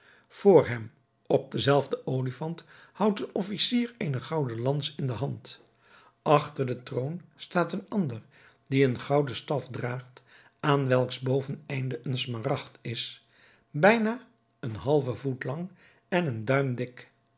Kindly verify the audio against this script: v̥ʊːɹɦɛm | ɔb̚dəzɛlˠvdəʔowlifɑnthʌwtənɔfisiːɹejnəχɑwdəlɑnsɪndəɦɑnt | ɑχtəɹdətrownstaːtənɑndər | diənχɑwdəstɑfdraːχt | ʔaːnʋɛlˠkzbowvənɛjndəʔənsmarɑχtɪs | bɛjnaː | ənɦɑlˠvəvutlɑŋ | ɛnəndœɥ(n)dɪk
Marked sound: incorrect: m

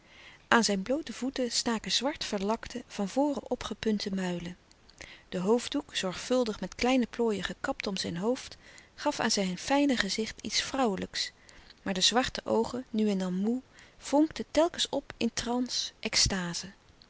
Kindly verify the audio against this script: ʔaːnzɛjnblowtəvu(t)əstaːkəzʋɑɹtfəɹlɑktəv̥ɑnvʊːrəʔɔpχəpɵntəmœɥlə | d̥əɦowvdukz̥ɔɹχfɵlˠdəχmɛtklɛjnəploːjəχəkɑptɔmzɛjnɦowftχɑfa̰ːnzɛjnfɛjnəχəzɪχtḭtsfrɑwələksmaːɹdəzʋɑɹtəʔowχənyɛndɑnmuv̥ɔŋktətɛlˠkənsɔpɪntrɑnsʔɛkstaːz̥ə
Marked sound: correct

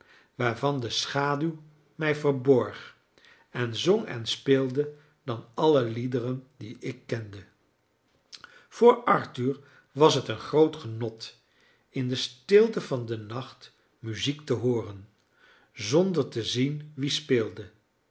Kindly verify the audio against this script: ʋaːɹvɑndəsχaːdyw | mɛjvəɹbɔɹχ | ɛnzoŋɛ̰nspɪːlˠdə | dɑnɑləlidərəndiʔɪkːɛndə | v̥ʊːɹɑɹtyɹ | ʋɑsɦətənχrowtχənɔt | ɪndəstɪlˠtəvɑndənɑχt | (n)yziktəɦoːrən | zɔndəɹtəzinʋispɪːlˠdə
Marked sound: incorrect: m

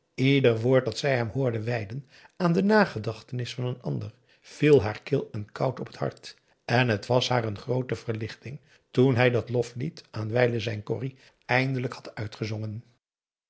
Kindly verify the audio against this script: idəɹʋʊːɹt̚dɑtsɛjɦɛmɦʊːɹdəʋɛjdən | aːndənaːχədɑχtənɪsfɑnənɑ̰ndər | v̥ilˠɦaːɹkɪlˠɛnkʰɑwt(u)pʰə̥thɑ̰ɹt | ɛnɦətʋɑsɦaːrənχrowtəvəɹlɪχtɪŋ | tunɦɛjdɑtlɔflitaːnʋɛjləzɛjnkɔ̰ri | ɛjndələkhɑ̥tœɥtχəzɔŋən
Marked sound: incorrect: ɔ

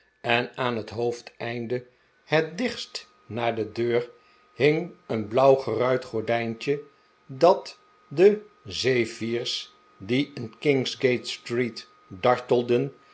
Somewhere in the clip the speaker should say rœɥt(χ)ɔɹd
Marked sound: correct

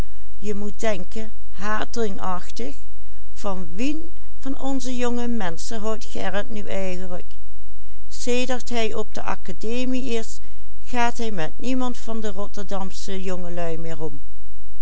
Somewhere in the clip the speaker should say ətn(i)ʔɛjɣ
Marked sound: incorrect: y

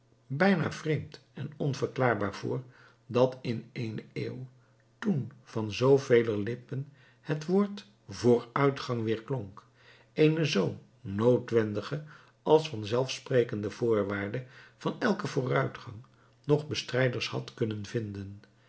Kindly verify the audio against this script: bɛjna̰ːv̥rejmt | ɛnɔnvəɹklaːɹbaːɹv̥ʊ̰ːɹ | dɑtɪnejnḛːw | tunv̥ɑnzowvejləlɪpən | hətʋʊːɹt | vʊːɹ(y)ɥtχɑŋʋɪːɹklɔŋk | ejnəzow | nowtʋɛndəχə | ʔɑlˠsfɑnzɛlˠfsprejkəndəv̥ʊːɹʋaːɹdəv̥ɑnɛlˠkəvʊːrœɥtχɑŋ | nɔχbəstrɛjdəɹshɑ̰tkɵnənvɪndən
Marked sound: incorrect: œ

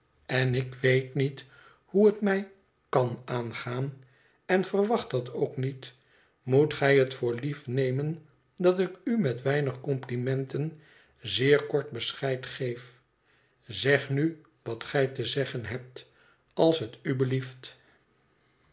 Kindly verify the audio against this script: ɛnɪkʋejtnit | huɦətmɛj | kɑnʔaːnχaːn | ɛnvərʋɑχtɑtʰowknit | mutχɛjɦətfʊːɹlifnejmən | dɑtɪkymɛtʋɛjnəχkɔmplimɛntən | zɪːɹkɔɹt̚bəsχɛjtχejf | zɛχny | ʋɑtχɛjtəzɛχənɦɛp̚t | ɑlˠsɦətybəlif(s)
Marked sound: incorrect: t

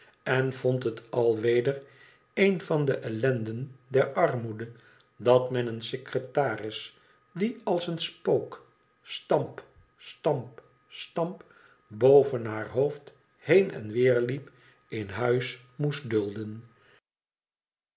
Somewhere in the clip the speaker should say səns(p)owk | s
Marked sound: correct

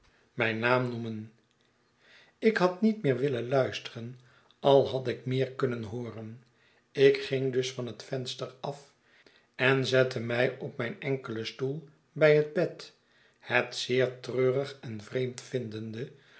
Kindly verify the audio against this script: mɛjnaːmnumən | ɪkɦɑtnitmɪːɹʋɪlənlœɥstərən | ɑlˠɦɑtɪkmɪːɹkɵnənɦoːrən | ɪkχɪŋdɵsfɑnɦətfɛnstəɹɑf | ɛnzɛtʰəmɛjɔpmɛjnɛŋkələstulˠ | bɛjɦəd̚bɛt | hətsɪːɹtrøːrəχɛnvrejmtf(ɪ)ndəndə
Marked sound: correct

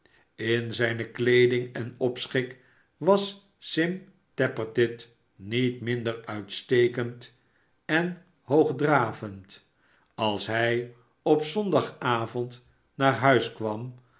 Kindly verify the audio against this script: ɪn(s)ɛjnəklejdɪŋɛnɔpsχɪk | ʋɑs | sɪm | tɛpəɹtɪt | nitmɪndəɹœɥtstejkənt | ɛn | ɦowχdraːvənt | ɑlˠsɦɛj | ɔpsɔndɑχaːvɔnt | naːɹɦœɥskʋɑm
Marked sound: incorrect: z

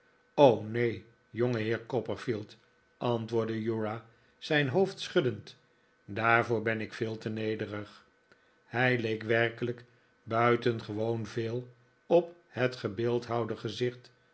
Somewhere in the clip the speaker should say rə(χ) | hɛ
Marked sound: correct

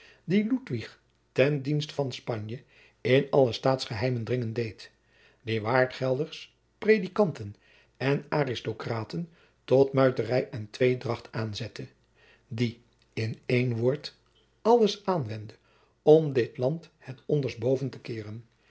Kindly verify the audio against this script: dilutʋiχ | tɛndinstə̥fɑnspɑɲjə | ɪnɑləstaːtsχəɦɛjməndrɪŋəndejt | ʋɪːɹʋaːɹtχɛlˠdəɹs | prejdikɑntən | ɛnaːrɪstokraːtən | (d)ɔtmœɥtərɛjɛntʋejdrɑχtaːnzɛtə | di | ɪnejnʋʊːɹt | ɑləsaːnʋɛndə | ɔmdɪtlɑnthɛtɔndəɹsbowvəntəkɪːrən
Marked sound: incorrect: t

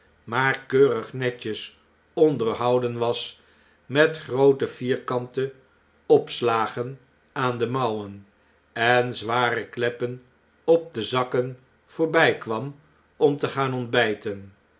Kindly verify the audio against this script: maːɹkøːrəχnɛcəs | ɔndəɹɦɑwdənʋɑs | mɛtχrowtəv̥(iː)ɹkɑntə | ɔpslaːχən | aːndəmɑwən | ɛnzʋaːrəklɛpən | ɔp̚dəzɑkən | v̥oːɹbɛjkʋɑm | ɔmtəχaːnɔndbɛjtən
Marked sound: correct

